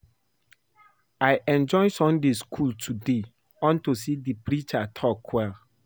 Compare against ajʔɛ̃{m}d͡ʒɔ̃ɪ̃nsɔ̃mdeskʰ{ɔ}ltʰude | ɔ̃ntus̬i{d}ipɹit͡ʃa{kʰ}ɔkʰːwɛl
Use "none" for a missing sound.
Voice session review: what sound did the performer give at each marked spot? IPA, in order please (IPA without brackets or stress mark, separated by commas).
n, u, d, tʰ